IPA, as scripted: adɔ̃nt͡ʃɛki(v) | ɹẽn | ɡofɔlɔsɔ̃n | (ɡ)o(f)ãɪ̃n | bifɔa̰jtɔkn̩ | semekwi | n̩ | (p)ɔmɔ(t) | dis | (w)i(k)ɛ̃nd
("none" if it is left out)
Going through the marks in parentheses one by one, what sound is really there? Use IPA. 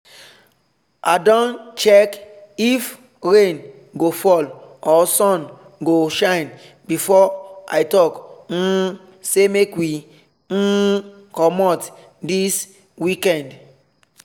f, ɡ, ʃ, k, t, w, k

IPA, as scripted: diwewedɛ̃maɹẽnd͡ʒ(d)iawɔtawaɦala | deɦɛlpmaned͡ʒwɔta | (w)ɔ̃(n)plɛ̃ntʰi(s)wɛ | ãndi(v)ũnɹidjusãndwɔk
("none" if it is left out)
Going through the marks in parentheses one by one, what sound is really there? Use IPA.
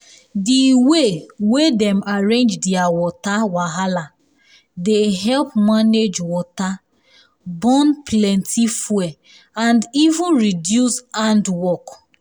d, b, n, f, v

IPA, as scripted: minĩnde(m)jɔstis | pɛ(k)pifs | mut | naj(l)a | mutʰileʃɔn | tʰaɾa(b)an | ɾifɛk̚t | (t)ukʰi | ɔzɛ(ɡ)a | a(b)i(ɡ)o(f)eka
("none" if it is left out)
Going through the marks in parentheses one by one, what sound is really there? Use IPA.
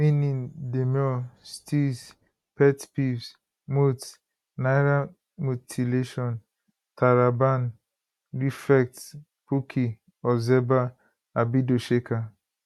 m, t, ɾ, b, p, b, b, d, ʃ

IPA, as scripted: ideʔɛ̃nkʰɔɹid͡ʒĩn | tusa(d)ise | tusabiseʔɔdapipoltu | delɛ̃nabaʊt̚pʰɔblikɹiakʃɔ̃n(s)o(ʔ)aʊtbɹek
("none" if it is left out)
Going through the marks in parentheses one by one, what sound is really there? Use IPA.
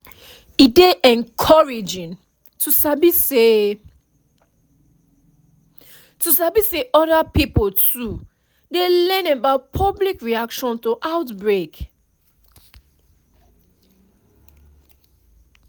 b, t, ʔ

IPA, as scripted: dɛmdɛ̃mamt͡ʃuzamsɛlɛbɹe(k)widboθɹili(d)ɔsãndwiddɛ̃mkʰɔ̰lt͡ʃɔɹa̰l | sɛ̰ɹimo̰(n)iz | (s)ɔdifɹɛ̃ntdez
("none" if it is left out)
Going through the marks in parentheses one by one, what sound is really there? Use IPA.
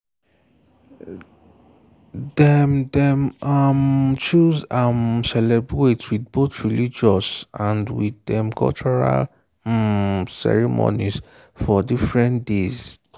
t, d͡ʒ, n, f

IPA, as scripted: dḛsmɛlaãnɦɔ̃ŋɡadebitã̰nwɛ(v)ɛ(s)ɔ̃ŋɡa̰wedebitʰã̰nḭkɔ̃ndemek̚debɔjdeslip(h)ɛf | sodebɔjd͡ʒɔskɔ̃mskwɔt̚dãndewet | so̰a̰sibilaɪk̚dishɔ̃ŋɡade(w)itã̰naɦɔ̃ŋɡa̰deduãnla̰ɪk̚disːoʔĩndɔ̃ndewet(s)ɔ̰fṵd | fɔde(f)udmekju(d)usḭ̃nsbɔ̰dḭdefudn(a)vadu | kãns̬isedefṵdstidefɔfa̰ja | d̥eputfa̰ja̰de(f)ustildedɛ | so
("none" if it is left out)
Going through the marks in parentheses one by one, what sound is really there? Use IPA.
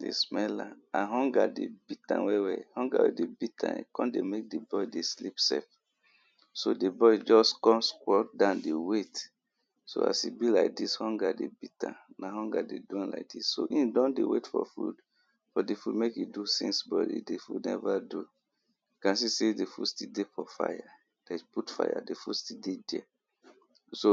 w, h, s, b, f, f, d, ɛ, f

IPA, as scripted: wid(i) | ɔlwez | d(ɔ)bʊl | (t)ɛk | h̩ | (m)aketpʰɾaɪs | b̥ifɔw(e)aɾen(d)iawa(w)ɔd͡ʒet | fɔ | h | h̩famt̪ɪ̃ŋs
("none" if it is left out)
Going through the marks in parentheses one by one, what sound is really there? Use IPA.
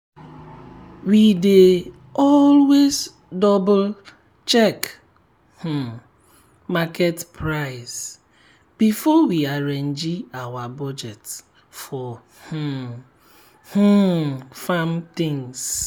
e, ɔ, t͡ʃ, m, i, d͡ʒ, b

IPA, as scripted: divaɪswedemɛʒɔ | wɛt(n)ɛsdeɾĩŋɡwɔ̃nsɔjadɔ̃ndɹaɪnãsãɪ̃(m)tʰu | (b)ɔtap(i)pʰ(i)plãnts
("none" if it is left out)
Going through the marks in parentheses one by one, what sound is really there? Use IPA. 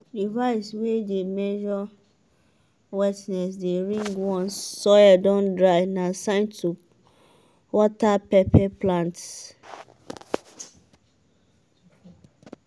n, n, w, ɛ, ɛ

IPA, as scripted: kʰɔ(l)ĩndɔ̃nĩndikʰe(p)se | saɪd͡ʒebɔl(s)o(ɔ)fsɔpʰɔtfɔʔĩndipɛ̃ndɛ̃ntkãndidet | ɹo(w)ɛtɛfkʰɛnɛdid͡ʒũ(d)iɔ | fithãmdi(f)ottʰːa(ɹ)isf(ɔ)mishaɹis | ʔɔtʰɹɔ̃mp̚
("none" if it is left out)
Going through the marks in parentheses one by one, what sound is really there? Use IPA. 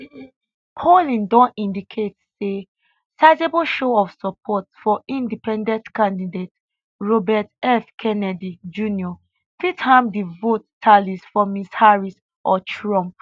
l, t, ʃ, ɔ, b, n, v, l, ɔ

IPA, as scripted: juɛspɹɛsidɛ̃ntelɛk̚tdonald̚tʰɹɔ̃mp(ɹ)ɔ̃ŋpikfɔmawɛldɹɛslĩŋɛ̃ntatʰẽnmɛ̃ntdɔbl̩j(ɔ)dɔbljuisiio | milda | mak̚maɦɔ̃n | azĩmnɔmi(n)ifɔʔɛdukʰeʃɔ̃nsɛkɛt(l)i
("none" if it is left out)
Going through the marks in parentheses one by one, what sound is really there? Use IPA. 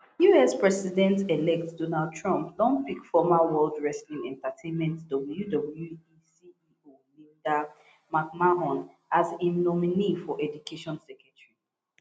l, u, n, ɹ

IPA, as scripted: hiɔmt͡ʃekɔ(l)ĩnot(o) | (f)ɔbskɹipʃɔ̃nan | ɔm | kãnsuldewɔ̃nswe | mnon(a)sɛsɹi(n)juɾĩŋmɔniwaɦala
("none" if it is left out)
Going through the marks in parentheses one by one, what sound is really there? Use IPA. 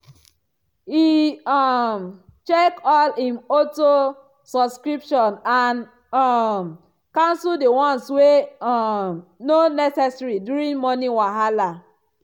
l, o, s, ɛ, d

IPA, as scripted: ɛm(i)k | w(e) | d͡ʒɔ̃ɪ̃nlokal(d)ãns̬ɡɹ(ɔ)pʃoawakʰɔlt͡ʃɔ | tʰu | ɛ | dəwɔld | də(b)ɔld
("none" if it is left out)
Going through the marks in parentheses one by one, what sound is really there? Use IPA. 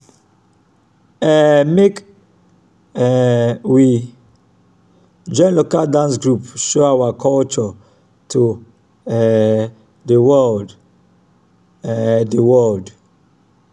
e, i, d, u, w

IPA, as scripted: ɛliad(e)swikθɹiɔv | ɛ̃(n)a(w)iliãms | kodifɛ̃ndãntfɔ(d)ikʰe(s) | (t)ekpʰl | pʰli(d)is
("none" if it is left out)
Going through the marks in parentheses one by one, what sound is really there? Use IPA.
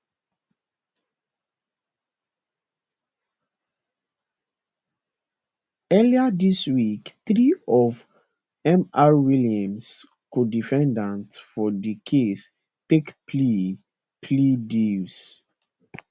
i, m, w, d, s, t, d

